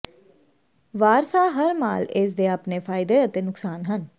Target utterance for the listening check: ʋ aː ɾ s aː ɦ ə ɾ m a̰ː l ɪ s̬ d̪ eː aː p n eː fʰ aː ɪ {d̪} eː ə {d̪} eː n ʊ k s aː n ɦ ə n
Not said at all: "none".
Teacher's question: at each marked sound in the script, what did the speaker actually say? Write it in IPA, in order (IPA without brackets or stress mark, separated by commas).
d̪, t̪